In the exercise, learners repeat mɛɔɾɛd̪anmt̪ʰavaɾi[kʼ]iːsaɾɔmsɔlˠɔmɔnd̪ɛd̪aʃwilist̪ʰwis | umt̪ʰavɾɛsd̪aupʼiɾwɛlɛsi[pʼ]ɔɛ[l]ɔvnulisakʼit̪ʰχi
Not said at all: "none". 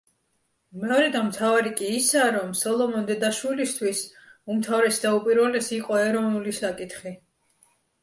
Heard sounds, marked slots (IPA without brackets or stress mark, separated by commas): kʼ, qʼ, ɾ